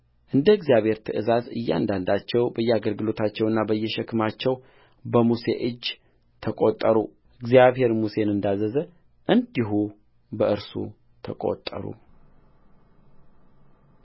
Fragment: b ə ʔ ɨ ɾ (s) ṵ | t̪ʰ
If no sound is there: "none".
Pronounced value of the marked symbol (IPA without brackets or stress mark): s